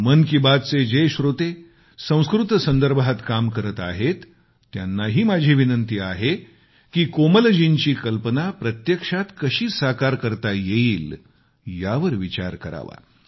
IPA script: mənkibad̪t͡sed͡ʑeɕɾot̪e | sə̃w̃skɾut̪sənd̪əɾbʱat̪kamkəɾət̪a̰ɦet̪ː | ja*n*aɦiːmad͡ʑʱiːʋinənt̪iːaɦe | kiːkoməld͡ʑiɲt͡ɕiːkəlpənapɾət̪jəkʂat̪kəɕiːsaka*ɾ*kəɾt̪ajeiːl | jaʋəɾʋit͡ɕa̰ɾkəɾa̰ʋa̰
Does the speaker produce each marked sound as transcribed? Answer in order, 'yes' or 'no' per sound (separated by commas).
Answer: no, yes